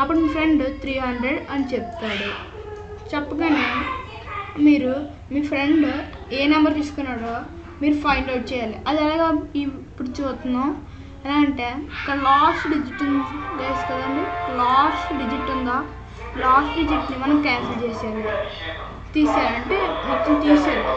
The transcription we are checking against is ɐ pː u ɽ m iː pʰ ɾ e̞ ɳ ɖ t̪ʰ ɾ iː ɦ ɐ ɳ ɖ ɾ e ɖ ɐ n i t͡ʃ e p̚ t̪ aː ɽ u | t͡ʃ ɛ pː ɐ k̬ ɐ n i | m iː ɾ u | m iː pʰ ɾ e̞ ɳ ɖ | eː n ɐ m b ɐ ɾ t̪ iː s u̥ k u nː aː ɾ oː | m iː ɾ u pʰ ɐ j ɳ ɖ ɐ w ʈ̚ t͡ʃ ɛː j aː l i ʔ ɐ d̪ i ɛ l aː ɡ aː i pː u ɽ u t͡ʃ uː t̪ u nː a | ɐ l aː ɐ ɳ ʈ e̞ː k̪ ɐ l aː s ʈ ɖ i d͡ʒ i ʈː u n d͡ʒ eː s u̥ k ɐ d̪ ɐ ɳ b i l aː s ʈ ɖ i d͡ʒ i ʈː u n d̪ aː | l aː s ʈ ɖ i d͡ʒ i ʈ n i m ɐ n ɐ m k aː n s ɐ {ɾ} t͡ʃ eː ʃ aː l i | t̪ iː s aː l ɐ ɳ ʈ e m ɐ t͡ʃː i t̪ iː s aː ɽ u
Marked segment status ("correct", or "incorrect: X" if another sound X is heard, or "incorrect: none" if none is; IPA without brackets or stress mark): incorrect: l